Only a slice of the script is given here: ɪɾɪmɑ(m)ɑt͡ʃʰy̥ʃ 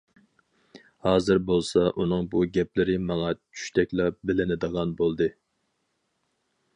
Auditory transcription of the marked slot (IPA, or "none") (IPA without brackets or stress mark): ŋ